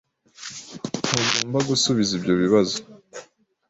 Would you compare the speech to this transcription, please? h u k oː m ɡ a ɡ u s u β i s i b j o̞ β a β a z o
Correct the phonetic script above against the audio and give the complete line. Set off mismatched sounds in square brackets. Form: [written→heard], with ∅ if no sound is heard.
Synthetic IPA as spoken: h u [k→ɡ] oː m [ɡ→b] a ɡ u s u β i [s→z] i b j o̞ β [a→i] β a z o